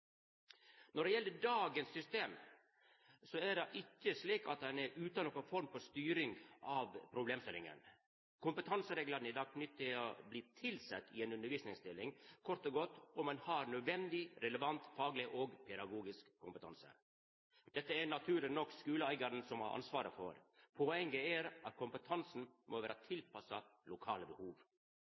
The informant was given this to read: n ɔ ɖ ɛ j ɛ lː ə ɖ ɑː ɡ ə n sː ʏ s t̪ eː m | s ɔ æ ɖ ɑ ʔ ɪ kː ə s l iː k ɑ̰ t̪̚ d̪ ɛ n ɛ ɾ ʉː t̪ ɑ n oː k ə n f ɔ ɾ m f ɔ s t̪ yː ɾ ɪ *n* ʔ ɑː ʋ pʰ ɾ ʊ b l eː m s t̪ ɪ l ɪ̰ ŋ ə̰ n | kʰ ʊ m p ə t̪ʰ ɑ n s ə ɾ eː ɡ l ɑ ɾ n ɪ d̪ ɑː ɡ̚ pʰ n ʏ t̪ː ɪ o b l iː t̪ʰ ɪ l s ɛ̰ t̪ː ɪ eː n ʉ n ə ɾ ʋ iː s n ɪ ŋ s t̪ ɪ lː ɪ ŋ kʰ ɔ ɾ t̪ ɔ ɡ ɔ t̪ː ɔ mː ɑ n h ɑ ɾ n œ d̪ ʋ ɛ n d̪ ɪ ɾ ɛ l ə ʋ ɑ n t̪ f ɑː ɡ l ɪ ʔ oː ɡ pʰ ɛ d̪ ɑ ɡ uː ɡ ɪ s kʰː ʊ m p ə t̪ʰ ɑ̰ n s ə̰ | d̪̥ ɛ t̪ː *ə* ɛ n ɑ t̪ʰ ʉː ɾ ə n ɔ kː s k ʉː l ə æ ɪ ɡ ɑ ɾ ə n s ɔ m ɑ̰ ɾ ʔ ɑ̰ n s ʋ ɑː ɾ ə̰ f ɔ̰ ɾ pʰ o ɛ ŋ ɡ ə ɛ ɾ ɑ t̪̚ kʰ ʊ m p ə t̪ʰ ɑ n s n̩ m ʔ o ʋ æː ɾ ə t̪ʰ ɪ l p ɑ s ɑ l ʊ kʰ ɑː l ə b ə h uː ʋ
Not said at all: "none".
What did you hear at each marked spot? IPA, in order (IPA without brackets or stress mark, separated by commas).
ŋ, ə